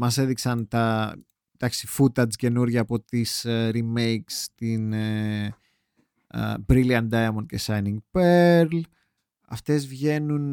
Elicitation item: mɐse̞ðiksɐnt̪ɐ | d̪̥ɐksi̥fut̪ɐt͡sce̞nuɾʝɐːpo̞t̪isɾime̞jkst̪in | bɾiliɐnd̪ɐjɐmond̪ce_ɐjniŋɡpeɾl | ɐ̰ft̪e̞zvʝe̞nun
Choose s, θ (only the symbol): s